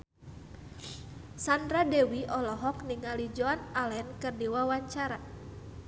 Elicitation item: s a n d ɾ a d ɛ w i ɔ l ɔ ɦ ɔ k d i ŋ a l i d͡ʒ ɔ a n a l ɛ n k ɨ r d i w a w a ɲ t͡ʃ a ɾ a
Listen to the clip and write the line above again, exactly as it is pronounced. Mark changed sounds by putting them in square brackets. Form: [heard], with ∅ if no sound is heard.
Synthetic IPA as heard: s a n d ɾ a d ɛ w i ɔ l ɔ ɦ ɔ k [n] i ŋ a l i d͡ʒ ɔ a n a l ɛ n k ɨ r d i w a w a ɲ t͡ʃ a ɾ a